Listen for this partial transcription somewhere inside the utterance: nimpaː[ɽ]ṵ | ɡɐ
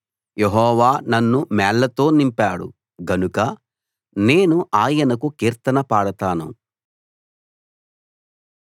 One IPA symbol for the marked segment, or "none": ɽ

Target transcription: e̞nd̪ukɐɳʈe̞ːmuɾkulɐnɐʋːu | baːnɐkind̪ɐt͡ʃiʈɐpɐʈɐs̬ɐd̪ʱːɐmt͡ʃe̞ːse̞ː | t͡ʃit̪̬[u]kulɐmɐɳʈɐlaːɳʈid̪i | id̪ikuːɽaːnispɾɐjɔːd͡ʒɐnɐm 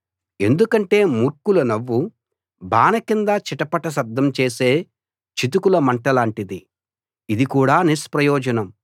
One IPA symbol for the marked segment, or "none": u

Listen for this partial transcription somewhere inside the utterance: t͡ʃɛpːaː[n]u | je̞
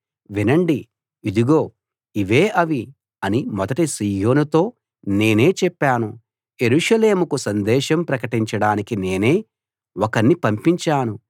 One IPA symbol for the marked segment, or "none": n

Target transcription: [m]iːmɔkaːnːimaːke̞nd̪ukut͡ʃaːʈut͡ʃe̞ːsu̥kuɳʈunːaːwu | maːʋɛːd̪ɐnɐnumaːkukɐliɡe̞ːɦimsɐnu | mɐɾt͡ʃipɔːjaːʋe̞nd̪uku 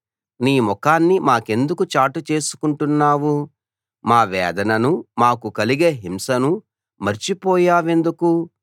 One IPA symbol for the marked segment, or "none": n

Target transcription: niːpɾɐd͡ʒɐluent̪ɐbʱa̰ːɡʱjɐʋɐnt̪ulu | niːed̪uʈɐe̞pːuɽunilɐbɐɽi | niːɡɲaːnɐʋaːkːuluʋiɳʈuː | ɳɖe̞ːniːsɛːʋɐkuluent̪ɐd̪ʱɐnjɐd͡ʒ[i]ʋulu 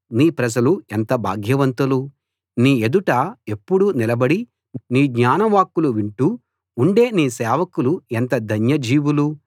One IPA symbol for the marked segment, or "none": iː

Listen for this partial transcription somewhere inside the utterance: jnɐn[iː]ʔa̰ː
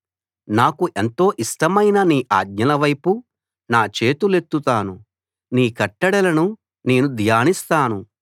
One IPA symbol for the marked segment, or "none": iː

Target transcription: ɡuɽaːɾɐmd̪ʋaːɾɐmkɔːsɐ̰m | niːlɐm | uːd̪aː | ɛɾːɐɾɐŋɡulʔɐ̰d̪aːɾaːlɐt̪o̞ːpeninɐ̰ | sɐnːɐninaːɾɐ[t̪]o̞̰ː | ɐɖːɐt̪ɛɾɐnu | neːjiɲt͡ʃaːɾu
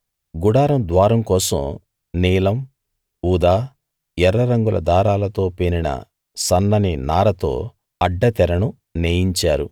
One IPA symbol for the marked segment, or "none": t̪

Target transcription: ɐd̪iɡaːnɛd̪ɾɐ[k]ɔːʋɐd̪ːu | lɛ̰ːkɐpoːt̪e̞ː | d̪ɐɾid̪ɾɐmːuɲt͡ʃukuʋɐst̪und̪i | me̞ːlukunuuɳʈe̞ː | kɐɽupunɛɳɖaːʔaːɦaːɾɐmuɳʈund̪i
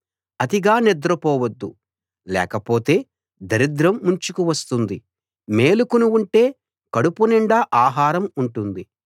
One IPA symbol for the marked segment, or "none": p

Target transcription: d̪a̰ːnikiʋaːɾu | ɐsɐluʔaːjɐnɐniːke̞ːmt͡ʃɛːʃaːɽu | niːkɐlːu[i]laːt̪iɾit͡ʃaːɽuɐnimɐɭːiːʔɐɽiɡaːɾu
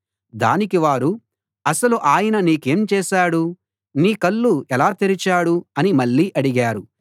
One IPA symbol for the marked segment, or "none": ɛ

